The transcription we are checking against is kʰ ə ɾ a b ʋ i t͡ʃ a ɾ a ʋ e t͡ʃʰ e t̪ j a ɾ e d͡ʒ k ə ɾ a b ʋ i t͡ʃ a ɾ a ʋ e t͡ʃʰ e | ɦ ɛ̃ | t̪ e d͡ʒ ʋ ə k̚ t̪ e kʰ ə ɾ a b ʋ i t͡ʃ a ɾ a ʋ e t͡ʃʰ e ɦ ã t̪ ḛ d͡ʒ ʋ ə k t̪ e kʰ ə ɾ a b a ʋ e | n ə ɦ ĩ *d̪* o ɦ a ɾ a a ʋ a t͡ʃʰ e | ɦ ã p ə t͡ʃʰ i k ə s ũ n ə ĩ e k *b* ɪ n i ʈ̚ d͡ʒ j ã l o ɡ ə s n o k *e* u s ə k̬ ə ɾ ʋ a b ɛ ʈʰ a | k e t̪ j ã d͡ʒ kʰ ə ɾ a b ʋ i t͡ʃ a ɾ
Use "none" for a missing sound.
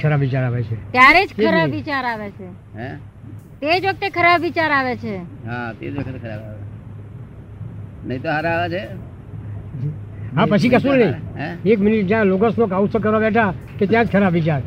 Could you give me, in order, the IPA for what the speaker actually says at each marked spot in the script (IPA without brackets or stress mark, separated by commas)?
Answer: t̪, m, a